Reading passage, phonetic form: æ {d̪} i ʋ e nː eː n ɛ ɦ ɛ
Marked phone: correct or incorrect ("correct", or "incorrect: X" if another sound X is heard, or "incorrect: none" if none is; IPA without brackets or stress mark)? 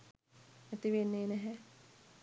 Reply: incorrect: t̪